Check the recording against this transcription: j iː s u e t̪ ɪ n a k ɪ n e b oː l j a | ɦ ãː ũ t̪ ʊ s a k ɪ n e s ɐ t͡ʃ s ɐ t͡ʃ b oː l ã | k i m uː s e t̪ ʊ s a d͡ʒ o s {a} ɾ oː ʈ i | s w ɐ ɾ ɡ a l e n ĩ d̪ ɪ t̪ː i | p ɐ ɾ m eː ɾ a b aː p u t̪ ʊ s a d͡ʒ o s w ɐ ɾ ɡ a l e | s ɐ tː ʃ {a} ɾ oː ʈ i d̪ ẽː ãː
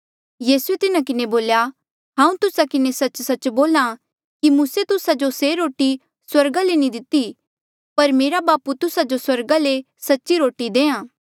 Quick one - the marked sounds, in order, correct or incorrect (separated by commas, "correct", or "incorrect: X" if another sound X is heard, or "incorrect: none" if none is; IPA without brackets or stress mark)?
incorrect: e, incorrect: i